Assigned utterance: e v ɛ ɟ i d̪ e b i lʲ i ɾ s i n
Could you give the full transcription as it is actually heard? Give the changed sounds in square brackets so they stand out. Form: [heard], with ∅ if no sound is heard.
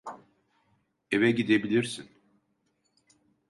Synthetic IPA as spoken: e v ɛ ɟ i d̪ e b i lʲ i ɾ s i n